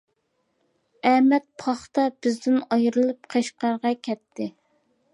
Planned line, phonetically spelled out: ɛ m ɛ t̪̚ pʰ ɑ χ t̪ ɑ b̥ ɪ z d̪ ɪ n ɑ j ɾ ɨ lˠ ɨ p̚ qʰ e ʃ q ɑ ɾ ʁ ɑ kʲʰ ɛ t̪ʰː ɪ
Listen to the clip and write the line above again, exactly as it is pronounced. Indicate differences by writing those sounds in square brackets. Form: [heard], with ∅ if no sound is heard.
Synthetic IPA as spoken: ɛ m ɛ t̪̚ pʰ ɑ χ t̪ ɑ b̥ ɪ z d̪ ɪ n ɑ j ɾ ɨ lˠ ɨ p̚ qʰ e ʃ q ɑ ɾ ʁ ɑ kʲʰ ɛ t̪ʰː ɪ